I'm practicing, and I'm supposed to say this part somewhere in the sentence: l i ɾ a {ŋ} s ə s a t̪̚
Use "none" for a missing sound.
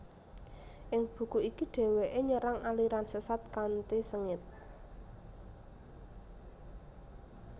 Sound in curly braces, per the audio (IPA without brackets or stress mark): n